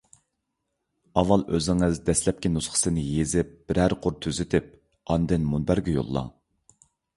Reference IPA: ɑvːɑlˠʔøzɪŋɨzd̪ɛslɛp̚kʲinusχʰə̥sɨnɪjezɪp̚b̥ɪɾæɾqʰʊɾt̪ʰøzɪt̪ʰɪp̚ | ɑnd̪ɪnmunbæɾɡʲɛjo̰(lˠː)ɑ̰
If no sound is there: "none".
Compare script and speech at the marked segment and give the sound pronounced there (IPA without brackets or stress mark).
lˠː